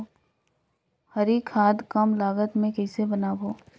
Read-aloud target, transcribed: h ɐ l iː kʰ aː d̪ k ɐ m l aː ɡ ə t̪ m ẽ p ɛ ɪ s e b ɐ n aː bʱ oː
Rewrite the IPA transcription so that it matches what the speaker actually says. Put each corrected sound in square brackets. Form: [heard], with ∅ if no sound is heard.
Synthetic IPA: h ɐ [ɾ] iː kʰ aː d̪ k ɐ m l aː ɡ ə t̪ m ẽ [k] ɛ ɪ s e b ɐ n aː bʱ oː